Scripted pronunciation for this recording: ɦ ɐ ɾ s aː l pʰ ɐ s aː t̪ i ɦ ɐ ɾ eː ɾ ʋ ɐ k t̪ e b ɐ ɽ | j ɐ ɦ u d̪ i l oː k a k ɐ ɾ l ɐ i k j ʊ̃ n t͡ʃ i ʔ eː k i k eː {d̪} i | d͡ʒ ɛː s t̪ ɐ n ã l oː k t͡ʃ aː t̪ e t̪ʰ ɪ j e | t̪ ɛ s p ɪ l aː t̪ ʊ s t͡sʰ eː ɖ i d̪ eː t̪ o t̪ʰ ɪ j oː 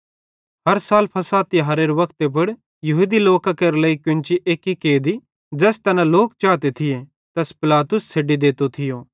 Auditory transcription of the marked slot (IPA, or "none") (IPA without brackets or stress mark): d̪